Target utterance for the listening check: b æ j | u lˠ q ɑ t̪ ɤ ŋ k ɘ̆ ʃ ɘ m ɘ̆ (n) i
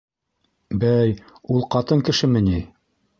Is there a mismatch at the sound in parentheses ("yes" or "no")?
no